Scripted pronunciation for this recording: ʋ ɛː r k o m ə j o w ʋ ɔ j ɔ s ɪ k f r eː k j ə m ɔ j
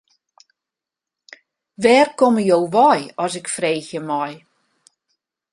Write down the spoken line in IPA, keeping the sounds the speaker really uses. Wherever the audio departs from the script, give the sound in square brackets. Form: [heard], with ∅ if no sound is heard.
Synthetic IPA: ʋ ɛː r k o m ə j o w ʋ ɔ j ɔ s ɪ k f r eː [x] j ə m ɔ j